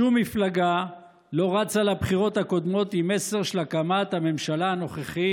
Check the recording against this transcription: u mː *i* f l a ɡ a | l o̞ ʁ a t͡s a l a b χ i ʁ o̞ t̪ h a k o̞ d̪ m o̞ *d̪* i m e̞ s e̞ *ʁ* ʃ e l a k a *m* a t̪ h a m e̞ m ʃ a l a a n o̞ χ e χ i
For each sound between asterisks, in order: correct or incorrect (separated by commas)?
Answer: correct, incorrect, correct, correct